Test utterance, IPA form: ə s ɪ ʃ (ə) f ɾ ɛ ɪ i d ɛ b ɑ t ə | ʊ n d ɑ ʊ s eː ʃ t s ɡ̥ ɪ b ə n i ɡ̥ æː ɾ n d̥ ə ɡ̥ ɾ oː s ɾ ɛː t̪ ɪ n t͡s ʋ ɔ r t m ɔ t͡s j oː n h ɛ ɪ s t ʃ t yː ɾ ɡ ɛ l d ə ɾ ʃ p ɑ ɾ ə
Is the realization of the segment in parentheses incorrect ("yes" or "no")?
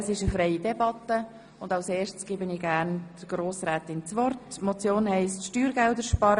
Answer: no